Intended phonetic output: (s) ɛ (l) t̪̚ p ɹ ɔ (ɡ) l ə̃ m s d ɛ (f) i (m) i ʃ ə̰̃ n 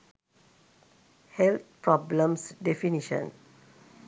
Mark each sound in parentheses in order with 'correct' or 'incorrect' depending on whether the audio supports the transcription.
incorrect: h, correct, incorrect: b, correct, incorrect: n

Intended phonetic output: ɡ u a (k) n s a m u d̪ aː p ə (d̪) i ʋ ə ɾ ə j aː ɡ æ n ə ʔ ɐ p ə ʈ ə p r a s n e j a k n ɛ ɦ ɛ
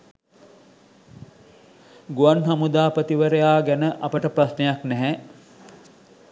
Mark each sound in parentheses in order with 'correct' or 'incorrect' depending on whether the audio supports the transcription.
incorrect: none, incorrect: t̪

